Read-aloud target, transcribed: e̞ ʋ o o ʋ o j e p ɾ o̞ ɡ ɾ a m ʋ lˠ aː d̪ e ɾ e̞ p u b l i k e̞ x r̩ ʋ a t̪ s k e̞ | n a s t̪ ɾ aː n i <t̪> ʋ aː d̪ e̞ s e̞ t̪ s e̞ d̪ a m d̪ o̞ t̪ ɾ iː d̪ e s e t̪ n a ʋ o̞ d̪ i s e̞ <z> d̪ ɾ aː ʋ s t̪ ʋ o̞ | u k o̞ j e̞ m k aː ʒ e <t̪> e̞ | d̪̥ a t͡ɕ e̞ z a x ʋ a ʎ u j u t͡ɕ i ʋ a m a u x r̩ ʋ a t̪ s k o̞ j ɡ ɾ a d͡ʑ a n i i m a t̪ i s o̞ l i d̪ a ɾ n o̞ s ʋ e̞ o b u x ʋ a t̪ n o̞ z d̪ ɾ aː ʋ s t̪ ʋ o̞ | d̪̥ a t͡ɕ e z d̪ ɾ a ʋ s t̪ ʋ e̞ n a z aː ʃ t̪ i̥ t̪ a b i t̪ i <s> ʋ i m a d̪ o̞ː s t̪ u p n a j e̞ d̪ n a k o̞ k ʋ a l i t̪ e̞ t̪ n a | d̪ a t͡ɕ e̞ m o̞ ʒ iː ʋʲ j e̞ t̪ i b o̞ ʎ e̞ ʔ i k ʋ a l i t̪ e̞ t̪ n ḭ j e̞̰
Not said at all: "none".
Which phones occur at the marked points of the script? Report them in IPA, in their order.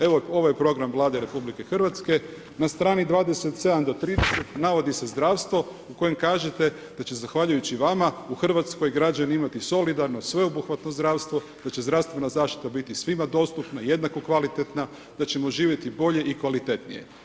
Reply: d̪, z, t̪, s

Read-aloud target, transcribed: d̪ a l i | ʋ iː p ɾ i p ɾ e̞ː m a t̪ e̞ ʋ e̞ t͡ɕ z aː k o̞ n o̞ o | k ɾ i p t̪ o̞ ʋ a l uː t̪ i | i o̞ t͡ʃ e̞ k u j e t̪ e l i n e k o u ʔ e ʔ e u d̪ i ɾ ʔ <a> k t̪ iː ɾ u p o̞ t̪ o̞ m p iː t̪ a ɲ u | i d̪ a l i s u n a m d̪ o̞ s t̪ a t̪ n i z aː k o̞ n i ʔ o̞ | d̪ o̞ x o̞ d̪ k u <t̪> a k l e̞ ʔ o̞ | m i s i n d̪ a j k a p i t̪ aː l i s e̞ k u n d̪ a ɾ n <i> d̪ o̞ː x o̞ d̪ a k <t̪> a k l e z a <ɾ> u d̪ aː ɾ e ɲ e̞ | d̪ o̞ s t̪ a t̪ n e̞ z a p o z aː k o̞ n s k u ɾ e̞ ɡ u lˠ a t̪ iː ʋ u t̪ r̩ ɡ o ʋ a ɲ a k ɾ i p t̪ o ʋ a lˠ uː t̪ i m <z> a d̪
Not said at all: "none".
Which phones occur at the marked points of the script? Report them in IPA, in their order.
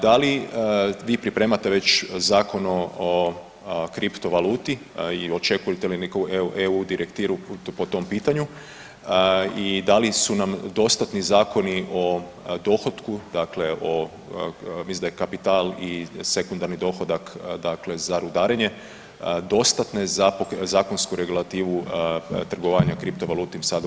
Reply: e, d̪, i, d̪, ɾ, s

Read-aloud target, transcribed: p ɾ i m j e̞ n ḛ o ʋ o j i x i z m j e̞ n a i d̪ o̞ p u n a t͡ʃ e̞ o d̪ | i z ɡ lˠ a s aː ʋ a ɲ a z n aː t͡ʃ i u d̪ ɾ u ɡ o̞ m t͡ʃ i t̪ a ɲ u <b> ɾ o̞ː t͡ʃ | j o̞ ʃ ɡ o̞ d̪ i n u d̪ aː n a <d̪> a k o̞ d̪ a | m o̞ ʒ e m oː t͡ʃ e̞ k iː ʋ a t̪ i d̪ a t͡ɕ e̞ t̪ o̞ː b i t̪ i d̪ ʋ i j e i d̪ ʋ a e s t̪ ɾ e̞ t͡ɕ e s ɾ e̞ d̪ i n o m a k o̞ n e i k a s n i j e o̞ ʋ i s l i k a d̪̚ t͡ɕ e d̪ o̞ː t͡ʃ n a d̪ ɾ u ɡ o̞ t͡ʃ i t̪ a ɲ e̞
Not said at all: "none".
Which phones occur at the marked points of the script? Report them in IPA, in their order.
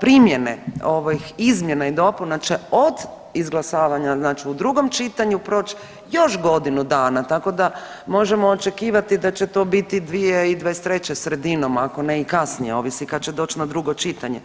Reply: p, t̪

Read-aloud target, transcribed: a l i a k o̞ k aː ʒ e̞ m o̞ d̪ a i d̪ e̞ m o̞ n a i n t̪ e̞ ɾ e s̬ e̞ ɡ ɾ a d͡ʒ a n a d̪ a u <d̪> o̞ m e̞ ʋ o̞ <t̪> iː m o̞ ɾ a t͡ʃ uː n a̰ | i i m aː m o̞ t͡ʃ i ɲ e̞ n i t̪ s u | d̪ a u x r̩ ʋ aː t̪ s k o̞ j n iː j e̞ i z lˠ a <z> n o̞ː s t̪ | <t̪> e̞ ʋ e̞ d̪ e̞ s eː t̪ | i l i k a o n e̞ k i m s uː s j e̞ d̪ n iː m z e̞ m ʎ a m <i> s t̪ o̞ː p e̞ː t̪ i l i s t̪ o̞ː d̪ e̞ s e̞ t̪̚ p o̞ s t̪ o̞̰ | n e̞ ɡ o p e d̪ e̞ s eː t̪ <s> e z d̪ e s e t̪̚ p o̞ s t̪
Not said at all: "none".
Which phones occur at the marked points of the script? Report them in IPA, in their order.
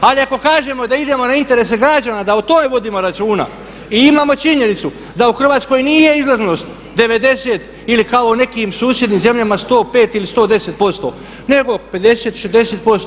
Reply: t̪, d̪, z, d̪, a, ʃ

